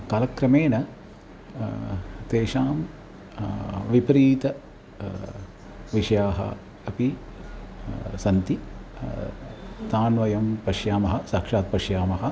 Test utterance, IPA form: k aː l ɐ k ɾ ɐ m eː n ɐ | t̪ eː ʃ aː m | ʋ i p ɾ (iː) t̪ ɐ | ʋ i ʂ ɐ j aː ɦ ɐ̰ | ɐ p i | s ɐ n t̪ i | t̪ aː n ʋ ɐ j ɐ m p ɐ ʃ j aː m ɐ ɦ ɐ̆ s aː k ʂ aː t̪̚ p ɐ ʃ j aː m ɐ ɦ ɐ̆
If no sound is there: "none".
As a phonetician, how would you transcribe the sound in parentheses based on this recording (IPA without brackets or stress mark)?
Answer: iː